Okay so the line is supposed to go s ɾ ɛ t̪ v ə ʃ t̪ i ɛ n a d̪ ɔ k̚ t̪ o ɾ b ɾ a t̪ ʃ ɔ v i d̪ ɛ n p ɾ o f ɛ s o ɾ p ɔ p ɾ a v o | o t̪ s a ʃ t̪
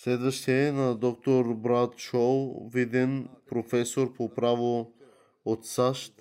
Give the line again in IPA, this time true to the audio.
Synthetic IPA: s l ɛ d̪ v ə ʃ t̪ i ɛ n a d̪ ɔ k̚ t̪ o ɾ b ɾ a t̪ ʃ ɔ v i d̪ ɛ n p ɾ o f ɛ s o ɾ p o p ɾ a v o | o t̪ s a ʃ t̪